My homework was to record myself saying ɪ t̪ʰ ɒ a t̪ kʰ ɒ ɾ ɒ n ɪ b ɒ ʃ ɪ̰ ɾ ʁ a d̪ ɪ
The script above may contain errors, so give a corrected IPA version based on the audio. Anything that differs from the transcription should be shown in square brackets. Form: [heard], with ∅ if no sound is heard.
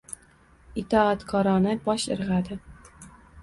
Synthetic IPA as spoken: ɪ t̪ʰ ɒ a t̪ kʰ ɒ ɾ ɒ n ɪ b ɒ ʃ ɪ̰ ɾ ʁ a d̪ ɪ

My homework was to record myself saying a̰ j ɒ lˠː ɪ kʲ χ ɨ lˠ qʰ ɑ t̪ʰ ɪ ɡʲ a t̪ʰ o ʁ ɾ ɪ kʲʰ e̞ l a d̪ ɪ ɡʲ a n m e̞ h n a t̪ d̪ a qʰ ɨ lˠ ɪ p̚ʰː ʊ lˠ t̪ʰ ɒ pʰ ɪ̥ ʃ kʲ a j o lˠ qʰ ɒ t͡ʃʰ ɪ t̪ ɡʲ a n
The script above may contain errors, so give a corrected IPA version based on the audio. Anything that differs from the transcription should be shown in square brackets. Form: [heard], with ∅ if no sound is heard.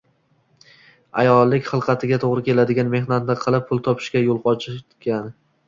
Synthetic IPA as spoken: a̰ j ɒ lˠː ɪ kʲ χ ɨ lˠ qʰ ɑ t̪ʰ ɪ ɡʲ a t̪ʰ o ʁ ɾ ɪ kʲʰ e̞ l a d̪ ɪ ɡʲ a n m e̞ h n a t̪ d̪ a qʰ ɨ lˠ ɪ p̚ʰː ʊ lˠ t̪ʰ ɒ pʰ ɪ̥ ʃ kʲ a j o lˠ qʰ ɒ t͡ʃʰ ɪ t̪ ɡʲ a n

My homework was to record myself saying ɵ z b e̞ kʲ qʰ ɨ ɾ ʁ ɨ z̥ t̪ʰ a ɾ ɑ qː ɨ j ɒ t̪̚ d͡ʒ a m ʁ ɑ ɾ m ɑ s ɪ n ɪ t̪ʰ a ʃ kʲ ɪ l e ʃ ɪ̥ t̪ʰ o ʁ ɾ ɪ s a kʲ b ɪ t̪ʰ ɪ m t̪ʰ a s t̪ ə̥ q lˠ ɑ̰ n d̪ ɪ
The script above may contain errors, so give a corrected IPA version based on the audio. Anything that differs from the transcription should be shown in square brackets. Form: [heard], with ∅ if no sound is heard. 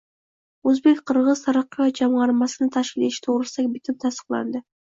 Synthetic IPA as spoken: ɵ z b e̞ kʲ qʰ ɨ ɾ ʁ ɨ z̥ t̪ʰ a ɾ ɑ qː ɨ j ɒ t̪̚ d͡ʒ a m ʁ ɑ ɾ m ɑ s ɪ n ɪ t̪ʰ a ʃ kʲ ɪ l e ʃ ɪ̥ t̪ʰ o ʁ ɾ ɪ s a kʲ b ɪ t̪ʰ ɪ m t̪ʰ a s t̪ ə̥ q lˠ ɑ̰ n d̪ ɪ

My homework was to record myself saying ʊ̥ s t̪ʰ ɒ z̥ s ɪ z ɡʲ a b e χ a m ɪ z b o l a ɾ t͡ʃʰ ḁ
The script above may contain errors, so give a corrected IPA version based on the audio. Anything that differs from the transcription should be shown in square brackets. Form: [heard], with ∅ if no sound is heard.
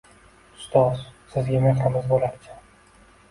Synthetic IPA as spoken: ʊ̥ s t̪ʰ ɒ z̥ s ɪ z ɡʲ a [m] e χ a m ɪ z b o l a ɾ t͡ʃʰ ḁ

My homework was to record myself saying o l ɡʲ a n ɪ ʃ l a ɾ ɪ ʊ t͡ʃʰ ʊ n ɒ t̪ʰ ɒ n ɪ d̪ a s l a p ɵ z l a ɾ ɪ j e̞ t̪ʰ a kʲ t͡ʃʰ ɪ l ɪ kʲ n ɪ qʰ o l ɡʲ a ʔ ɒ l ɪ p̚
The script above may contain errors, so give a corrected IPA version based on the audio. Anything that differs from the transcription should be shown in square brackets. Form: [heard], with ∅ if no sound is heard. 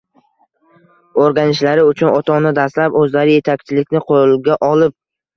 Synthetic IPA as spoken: o [ɾ] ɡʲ a n ɪ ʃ l a ɾ ɪ ʊ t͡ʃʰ ʊ n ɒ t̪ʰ ɒ n ɪ d̪ a s l a p ɵ z l a ɾ ɪ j e̞ t̪ʰ a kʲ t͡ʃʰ ɪ l ɪ kʲ n ɪ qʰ o l ɡʲ a ʔ ɒ l ɪ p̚

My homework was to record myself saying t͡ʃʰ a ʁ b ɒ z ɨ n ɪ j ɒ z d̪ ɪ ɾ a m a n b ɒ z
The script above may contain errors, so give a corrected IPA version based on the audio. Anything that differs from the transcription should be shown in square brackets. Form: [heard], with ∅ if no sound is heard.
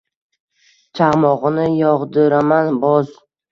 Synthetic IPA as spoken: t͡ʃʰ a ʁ [m] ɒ [ʁ] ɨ n ɪ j ɒ [ʁ] d̪ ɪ ɾ a m a n b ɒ z

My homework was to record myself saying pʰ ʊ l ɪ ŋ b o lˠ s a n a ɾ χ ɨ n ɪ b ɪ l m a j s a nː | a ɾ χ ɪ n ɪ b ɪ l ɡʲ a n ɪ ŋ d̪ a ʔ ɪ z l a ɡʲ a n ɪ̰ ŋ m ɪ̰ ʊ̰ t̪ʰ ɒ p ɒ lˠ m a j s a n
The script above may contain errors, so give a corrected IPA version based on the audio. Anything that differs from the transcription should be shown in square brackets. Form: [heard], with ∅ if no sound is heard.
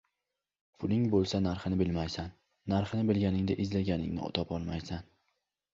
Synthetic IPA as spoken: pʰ ʊ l ɪ ŋ b o lˠ s a n a ɾ χ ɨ n ɪ b ɪ l m a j s a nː | a ɾ χ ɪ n ɪ b ɪ l ɡʲ a n ɪ ŋ d̪ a ʔ ɪ z l a ɡʲ a n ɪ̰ ŋ [n] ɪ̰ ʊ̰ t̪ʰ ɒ p ɒ lˠ m a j s a n

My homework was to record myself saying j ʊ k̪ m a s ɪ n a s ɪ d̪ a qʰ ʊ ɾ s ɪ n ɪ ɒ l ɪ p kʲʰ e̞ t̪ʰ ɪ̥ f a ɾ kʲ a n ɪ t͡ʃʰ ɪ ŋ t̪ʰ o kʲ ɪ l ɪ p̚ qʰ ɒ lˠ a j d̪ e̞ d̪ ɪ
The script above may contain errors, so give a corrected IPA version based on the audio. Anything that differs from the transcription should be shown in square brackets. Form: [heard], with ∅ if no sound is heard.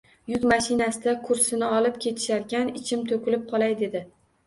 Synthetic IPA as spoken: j ʊ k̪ m a [ʃ] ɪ n a s ɪ d̪ a [kʰ] ʊ ɾ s ɪ n ɪ ɒ l ɪ p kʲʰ e̞ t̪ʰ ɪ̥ [ʃ] a ɾ kʲ a n ɪ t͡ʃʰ ɪ [m] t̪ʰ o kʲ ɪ l ɪ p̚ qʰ ɒ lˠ a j d̪ e̞ d̪ ɪ

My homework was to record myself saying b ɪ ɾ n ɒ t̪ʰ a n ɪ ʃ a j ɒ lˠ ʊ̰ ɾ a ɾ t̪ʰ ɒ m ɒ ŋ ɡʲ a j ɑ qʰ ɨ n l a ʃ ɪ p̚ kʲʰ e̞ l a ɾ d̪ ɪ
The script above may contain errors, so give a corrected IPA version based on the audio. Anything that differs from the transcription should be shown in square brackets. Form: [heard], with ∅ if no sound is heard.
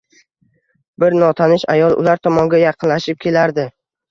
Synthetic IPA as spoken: b ɪ ɾ n ɒ t̪ʰ a n ɪ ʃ a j ɒ lˠ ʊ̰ [l] a ɾ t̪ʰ ɒ m ɒ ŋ ɡʲ a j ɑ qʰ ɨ n l a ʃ ɪ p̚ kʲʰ e̞ l a ɾ d̪ ɪ

